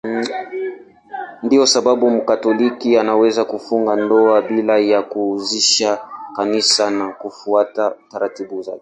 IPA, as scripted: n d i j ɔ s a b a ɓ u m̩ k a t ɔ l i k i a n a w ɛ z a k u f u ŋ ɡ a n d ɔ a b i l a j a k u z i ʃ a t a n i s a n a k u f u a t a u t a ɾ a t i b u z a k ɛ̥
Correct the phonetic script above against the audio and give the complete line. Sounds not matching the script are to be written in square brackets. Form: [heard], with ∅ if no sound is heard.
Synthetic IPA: n d i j ɔ s a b a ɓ u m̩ k a t ɔ l i k i a n a w ɛ z a k u f u ŋ ɡ a n d ɔ a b i l a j a k u z i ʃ a [k] a n i s a n a k u f u a t a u t a ɾ a t i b u z a k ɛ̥